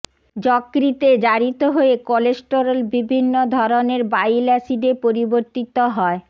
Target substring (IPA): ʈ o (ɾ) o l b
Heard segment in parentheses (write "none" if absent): ɾ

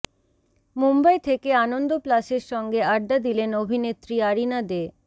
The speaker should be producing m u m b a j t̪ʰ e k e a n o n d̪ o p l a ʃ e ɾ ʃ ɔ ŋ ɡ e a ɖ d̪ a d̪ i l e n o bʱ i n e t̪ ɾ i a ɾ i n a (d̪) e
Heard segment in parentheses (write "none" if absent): d̪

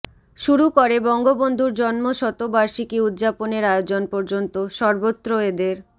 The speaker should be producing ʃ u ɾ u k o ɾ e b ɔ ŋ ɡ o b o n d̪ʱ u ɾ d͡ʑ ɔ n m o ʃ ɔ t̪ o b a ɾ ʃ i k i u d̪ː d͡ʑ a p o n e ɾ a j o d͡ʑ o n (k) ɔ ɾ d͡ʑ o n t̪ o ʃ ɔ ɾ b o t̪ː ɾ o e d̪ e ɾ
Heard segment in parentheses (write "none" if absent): p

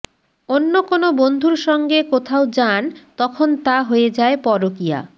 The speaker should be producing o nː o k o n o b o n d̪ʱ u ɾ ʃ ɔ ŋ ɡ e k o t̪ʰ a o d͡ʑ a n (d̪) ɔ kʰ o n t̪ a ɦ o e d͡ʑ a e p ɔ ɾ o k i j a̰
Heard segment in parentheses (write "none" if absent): t̪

